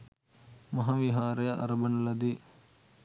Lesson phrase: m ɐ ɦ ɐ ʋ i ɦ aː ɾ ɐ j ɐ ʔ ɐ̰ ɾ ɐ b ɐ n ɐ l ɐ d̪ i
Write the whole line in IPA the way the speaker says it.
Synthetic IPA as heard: m ɐ ɦ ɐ ʋ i ɦ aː ɾ ɐ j ɐ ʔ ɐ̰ ɾ ɐ b ɐ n ɐ l ɐ d̪ i